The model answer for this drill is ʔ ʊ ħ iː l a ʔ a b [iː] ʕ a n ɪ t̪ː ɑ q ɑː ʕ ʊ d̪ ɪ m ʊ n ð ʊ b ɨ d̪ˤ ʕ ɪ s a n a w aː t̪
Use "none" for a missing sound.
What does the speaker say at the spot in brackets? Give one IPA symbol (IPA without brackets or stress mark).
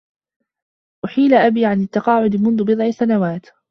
iː